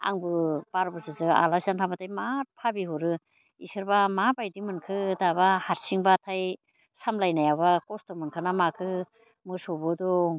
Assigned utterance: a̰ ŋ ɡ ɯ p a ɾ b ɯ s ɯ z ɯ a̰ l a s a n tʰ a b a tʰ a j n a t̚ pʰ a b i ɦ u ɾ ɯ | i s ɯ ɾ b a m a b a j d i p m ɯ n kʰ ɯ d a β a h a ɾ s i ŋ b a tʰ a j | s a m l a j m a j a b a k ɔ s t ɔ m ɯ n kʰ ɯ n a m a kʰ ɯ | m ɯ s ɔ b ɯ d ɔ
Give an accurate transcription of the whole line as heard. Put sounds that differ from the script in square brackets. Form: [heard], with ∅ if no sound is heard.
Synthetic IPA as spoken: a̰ ŋ [b] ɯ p a ɾ b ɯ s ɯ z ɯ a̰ l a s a n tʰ a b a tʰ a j [m] a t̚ pʰ a b i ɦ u ɾ ɯ | i s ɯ ɾ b a m a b a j d i [∅] m ɯ n kʰ ɯ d a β a h a ɾ s i ŋ b a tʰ a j | s a m l a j [n] a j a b a k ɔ s t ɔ m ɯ n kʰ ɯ n a m a kʰ ɯ | m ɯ s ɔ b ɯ d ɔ

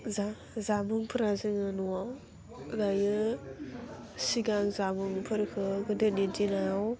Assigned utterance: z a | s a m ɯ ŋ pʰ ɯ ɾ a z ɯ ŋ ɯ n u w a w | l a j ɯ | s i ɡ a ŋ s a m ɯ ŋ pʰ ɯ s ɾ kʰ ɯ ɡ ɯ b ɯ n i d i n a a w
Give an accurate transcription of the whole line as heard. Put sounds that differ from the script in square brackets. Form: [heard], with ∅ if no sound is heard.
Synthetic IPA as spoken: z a | [z] a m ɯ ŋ pʰ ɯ ɾ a z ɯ ŋ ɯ n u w a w | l a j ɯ | s i ɡ a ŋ [z] a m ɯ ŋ pʰ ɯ [∅] ɾ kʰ ɯ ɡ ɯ [d] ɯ n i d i n a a w

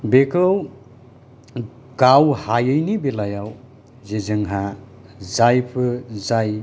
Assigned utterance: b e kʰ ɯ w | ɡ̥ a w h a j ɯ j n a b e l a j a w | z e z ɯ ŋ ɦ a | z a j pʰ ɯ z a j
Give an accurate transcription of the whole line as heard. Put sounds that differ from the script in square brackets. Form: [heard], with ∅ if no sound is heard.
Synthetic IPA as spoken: b e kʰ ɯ w | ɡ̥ a w h a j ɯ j n [i] b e l a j a w | z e z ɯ ŋ ɦ a | z a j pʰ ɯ z a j

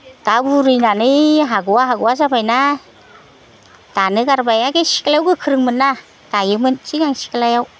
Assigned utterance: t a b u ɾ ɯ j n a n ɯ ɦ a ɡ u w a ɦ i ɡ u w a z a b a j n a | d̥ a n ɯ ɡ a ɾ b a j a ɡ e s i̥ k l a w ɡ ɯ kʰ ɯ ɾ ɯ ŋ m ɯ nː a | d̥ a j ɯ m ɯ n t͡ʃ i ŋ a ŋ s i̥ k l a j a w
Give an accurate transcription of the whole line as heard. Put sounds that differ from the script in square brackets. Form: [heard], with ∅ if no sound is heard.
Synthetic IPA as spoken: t a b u ɾ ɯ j n a n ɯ ɦ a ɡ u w a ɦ [a] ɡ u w a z a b a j n a | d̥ a n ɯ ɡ a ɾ b a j a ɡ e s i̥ k l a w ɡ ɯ kʰ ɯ ɾ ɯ ŋ m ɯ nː a | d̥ a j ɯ m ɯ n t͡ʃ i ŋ a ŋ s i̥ k l a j a w

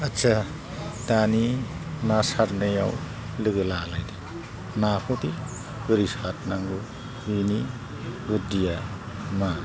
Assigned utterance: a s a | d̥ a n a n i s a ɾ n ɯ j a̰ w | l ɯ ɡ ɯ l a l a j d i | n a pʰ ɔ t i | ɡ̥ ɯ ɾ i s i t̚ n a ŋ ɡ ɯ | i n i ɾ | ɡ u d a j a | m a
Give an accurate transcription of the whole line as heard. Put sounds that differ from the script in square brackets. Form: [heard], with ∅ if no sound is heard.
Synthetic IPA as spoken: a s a | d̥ a n [i] n [a] s a ɾ n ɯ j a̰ w | l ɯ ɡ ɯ l a l a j d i | n a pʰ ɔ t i | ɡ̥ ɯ ɾ i s [a] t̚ n a ŋ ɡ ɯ | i n i [∅] | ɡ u d [i] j a | m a

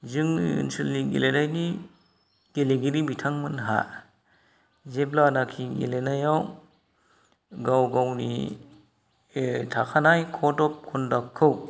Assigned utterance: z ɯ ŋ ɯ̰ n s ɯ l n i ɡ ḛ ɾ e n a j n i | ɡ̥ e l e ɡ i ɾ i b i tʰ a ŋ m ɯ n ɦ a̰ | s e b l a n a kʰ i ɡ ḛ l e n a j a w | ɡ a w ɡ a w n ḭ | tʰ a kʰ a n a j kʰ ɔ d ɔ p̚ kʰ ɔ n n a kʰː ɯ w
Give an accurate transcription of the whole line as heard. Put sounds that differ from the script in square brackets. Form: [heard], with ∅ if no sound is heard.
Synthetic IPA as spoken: z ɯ ŋ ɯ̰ n s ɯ l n i ɡ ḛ [l] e n a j n i | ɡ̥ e l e ɡ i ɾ i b i tʰ a ŋ m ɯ n ɦ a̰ | [z] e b l a n a kʰ i ɡ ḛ l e n a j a w | ɡ a w ɡ a w n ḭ | tʰ a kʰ a n a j kʰ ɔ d ɔ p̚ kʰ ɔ n [d] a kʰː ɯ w

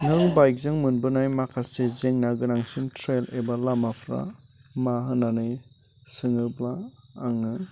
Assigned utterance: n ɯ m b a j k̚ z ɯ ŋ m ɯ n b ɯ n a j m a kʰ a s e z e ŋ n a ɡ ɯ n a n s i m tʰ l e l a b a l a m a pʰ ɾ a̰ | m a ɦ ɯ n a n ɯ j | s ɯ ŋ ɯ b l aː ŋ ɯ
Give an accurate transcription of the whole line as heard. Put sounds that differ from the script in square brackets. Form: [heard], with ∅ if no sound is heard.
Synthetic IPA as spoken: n ɯ [ŋ] b a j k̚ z ɯ ŋ m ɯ n b ɯ n a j m a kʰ a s e z e ŋ n a ɡ ɯ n a [ŋ] s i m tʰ [ɾ] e l [e] b a l a m a pʰ ɾ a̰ | m a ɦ ɯ n a n ɯ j | s ɯ ŋ ɯ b l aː ŋ ɯ

